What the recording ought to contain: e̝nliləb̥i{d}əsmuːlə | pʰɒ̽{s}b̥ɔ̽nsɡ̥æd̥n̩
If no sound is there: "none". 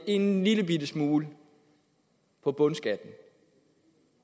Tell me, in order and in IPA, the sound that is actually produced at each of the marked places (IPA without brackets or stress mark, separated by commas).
d, none